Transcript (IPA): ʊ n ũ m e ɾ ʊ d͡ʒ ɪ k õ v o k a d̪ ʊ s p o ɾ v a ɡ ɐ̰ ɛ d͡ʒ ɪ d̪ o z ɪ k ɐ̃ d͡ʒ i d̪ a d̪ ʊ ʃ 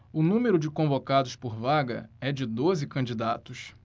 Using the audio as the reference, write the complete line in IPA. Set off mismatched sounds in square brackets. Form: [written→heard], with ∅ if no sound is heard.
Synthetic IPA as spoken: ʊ n ũ m e ɾ ʊ d͡ʒ ɪ k õ v o k a d̪ ʊ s p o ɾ v a ɡ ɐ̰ ɛ d͡ʒ ɪ d̪ o z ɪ k ɐ̃ d͡ʒ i d̪ a [d̪→t̪] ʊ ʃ